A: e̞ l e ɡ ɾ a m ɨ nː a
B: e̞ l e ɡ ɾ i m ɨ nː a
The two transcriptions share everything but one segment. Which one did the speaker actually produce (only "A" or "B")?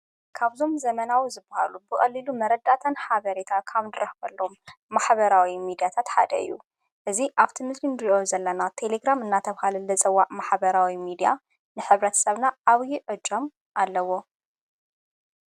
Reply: A